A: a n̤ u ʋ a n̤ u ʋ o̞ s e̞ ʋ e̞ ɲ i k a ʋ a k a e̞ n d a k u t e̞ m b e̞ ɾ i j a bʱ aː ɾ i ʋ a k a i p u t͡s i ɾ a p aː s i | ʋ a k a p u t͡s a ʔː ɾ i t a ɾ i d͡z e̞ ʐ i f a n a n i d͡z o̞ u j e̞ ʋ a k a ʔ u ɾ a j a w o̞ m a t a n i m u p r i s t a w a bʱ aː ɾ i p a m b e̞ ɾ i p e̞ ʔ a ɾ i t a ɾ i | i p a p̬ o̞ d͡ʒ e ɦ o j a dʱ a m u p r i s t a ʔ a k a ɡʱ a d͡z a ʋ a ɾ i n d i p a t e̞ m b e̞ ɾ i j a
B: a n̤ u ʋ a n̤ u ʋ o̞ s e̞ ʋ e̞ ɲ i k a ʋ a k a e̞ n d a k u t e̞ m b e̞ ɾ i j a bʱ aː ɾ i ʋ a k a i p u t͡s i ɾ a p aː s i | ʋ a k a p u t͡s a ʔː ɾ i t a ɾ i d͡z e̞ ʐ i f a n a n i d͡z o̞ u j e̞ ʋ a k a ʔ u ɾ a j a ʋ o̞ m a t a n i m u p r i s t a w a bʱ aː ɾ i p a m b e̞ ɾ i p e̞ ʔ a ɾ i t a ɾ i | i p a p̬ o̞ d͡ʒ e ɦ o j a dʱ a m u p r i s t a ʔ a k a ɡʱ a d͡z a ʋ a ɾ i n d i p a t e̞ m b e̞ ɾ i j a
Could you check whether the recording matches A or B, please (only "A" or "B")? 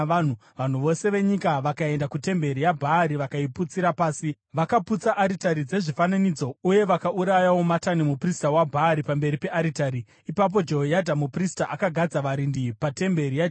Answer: A